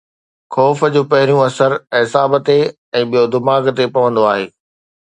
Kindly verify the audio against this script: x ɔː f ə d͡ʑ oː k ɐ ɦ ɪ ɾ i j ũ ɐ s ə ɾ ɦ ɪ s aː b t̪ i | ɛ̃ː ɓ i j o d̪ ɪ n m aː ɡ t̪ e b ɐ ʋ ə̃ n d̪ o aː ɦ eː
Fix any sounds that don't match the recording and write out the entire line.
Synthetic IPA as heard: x ɔː f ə d͡ʑ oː p ɐ ɦ ɪ ɾ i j ũ ɐ s ə ɾ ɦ ɪ s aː b t̪ e | ɛ̃ː ɓ i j o d̪ ɪ m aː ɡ t̪ e p ɐ ʋ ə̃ n d̪ o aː ɦ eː